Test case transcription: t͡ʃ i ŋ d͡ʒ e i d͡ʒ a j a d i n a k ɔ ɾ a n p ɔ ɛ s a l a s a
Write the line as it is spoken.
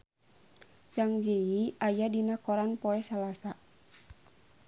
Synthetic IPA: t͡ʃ a ŋ d͡ʒ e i a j a d i n a k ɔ ɾ a n p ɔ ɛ s a l a s a

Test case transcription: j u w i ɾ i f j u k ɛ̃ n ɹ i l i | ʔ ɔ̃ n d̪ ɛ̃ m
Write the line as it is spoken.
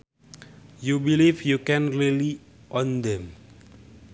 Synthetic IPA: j u b i l i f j u k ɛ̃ n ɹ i l i | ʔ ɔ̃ n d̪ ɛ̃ m

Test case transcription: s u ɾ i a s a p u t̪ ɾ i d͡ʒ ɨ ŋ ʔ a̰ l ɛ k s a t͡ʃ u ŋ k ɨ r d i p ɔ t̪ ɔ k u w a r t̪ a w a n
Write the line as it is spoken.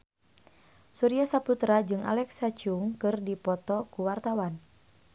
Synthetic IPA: s u ɾ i a s a p u t̪ ɾ a d͡ʒ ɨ ŋ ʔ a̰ l ɛ k s a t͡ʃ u ŋ k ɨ r d i p ɔ t̪ ɔ k u w a r t̪ a w a n

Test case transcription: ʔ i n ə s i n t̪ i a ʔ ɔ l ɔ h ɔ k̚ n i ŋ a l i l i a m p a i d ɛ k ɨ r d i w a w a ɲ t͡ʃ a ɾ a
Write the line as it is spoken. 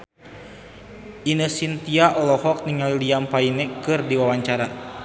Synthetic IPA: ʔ i n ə s i n t̪ i a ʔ ɔ l ɔ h ɔ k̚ n i ŋ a l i l i a m p a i n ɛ k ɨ r d i w a w a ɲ t͡ʃ a ɾ a

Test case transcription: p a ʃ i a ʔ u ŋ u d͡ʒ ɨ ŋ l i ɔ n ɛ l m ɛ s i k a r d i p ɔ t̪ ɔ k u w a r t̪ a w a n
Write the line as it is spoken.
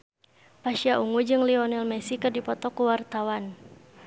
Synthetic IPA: p a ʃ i a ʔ u ŋ u d͡ʒ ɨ ŋ l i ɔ n ɛ l m ɛ s i k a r d i p ɔ t̪ ɔ k u w a r t̪ a w a n

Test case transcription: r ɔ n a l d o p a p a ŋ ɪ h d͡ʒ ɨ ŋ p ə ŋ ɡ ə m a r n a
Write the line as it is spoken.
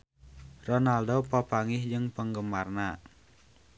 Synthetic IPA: r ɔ n a l d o p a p a ŋ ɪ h d͡ʒ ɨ ŋ p ə ŋ ɡ ə m a r n a

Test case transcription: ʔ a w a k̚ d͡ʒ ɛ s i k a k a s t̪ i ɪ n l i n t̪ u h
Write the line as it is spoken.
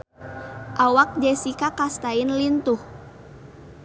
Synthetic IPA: ʔ a w a k̚ d͡ʒ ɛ s i k a k a s t̪ a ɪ n l i n t̪ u h

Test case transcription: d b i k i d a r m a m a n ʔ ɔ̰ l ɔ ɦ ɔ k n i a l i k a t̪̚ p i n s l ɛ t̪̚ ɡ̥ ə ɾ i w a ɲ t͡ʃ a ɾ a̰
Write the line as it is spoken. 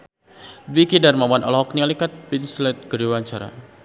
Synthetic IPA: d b i k i d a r m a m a n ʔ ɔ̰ l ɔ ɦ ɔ k n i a l i k a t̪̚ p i n s l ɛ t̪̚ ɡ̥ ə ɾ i w a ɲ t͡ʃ a ɾ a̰

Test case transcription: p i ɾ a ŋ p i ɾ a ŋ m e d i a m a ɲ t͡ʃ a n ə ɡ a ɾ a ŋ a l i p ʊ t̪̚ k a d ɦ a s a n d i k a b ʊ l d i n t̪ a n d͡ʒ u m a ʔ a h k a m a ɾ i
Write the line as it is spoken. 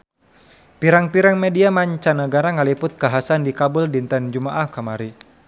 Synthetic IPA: p i ɾ a ŋ p i ɾ a ŋ m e d i a m a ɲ t͡ʃ a n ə ɡ a ɾ a ŋ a l i p ʊ t̪̚ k a ɦ a s a n d i k a b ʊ l d i n t̪ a n d͡ʒ u m a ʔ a h k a m a ɾ i

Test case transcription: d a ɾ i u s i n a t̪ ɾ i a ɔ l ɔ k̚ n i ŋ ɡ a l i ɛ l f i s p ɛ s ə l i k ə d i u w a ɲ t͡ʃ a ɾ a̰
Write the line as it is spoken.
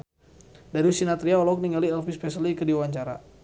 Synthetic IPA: d a ɾ i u s i n a t̪ ɾ i a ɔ l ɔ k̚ n i ŋ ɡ a l i ɛ l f i s p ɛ s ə l i k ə d i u w a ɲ t͡ʃ a ɾ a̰

